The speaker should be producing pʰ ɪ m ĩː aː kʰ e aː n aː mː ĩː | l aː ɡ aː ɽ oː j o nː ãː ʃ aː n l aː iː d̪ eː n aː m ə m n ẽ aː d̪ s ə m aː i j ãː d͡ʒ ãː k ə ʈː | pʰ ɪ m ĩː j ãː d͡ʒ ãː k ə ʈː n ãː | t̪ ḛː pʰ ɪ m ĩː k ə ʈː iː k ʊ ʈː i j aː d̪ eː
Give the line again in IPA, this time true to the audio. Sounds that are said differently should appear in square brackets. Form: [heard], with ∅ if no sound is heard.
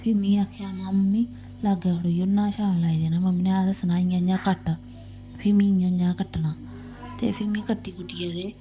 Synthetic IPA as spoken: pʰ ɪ m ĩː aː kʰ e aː n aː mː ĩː | l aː ɡ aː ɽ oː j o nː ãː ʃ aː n l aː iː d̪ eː n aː m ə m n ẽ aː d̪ s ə [n] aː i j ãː d͡ʒ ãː k ə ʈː | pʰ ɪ m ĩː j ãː d͡ʒ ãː k ə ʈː n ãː | t̪ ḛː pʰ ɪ m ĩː k ə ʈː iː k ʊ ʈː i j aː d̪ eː